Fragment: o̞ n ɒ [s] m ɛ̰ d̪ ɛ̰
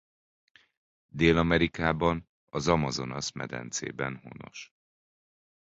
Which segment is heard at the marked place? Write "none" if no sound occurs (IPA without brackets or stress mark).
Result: s